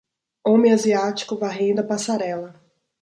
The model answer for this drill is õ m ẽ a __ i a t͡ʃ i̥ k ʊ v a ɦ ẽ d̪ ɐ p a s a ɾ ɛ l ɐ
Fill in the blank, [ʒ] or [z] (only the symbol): z